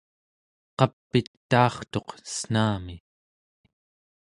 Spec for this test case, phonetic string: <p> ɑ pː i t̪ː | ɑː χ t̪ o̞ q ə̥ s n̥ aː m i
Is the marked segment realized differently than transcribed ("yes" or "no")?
yes